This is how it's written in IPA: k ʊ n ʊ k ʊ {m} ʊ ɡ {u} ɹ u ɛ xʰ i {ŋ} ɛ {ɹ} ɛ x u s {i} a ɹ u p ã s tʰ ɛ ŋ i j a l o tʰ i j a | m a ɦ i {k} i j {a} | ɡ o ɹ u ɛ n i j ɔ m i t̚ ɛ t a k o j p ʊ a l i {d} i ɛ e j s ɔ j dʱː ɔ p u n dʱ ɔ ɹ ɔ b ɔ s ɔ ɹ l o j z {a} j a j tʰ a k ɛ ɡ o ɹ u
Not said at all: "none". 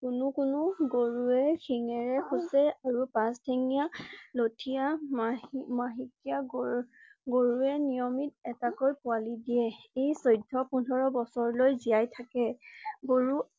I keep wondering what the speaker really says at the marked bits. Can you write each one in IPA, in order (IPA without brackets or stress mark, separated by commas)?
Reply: n, o, ŋ, ɹ, ɛ, k, a, d, i